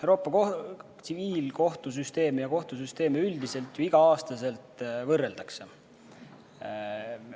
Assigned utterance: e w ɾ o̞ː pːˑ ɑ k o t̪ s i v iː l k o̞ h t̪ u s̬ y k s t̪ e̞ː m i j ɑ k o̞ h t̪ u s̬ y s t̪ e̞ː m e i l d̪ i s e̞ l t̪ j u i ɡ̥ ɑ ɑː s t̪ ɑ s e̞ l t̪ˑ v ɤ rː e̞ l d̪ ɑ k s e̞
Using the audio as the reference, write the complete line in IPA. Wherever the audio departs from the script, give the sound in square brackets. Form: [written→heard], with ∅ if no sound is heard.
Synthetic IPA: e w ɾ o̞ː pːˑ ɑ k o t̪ s i v iː l k o̞ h t̪ u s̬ y [k→∅] s t̪ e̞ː m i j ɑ k o̞ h t̪ u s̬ y s t̪ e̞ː m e [i→y] l d̪ i s e̞ l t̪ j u i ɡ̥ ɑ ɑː s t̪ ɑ s e̞ l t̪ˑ v ɤ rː e̞ l d̪ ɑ k s e̞